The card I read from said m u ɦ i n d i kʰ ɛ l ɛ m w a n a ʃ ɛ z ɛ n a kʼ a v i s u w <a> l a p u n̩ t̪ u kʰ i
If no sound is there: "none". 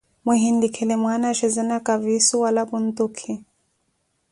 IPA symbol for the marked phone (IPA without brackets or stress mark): a